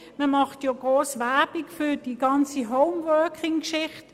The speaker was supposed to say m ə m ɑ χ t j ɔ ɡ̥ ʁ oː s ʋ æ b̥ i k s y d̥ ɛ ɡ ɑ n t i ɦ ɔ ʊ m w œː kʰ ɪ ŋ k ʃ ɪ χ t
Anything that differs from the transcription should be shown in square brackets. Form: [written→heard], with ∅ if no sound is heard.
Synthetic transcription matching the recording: m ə m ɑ χ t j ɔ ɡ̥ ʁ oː s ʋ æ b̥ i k [s→f] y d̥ [ɛ→i] ɡ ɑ n [t→t͡s] i ɦ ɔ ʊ m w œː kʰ ɪ ŋ k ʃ ɪ χ t